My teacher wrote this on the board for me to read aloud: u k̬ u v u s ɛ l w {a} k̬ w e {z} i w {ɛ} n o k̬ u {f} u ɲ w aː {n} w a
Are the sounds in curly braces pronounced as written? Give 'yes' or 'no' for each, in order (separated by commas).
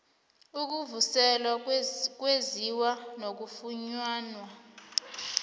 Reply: yes, yes, no, yes, yes